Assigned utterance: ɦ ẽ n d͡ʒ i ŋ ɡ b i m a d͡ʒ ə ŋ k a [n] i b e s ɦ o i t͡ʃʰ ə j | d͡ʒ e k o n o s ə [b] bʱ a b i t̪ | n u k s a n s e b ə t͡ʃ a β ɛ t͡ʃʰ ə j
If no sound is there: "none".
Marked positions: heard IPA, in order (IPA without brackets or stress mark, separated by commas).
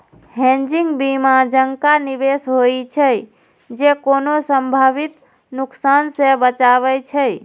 n, m